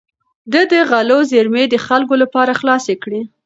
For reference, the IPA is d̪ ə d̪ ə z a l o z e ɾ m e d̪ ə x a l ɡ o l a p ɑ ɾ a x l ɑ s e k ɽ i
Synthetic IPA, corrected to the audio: d̪ ə d̪ ə ɣ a l o z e ɾ m e d̪ ə x a l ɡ o l a p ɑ ɾ a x l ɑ s e k ɽ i